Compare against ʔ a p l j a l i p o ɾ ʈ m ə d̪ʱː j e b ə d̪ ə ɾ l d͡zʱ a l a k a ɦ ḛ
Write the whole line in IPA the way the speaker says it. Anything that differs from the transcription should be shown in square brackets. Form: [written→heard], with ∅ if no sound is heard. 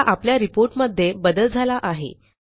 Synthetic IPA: ʔ a p l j a [l→ɾ] i p o ɾ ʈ m ə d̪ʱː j e b ə d̪ ə [ɾ→∅] l d͡zʱ a l a [k→ʔ] a ɦ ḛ